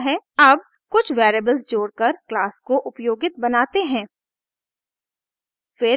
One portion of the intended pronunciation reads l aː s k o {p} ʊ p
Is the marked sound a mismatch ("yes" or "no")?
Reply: yes